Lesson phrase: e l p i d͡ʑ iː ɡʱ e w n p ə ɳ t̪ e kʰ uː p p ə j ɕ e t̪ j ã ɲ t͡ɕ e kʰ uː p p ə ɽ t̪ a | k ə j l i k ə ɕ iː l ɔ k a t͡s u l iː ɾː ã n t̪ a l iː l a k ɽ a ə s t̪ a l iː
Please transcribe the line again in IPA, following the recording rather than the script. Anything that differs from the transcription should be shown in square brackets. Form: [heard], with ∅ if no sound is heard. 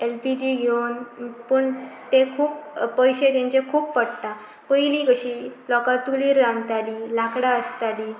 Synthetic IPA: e l p i d͡ʑ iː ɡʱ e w n p ə ɳ t̪ e kʰ uː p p ə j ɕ e t̪ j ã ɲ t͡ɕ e kʰ uː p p ə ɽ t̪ a | [p] ə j l i k ə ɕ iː l ɔ k a t͡s u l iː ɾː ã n t̪ a l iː l a k ɽ a ə s t̪ a l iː